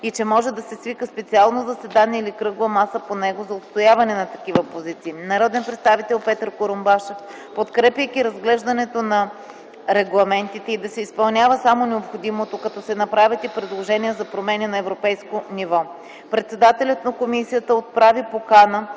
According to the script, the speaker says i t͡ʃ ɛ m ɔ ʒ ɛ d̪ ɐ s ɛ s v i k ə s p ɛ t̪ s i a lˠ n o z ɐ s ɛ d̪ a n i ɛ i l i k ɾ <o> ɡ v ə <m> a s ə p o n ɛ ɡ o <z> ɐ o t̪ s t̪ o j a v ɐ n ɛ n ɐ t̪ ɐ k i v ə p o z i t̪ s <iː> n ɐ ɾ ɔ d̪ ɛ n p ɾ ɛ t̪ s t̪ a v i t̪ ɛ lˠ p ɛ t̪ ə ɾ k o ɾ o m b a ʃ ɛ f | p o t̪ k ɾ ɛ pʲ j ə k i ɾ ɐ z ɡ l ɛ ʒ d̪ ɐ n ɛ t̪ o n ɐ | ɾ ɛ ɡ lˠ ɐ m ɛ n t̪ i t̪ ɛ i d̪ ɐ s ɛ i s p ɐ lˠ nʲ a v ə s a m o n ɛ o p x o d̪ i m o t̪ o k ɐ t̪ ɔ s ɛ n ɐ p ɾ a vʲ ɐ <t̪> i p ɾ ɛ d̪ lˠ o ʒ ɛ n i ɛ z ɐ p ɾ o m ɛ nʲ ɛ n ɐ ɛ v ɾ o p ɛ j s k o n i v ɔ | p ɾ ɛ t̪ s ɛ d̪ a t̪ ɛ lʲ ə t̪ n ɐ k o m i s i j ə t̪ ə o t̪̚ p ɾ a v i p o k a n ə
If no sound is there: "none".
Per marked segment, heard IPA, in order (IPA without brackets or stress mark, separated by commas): ɤ, m, z, iː, t̪